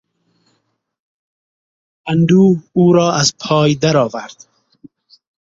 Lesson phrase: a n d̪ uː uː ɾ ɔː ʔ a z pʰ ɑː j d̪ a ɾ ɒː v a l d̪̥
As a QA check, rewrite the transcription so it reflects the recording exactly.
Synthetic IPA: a n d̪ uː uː ɾ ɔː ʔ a z pʰ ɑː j d̪ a ɾ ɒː v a ɾ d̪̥